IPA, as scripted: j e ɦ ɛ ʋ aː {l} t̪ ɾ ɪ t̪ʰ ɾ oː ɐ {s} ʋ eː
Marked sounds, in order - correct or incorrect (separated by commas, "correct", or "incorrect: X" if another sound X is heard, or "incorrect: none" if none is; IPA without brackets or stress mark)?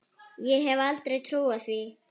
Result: correct, correct